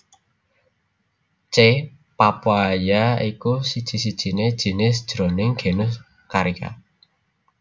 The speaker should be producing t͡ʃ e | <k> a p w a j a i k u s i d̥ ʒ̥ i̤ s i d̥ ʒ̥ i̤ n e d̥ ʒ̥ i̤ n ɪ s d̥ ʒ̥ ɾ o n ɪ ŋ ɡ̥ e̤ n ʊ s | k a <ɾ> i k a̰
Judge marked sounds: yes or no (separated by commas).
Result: no, yes